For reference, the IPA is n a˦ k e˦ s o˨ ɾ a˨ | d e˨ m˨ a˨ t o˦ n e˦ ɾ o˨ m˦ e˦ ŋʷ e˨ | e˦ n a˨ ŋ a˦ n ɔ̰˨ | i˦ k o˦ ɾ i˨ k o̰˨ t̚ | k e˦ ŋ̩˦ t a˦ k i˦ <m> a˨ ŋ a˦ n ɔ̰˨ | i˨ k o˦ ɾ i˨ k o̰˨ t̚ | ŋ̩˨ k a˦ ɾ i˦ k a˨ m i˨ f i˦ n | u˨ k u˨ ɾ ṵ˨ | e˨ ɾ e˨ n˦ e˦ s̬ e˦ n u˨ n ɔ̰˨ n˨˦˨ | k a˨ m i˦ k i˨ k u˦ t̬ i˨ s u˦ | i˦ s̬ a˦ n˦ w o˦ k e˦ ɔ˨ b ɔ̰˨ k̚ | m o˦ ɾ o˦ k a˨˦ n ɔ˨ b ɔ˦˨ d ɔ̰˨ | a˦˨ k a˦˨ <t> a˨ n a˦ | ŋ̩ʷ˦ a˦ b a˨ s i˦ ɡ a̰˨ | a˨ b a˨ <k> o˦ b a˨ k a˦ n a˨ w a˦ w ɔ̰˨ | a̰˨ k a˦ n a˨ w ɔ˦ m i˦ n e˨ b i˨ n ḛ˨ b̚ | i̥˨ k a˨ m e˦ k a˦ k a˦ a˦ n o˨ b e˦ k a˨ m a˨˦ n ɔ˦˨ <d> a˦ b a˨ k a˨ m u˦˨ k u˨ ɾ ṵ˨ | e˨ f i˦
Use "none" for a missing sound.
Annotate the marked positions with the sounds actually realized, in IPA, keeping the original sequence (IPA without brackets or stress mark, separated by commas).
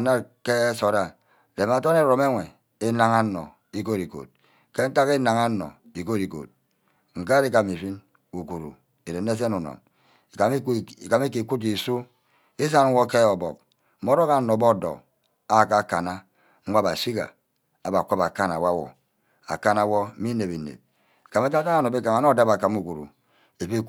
n, k, k, d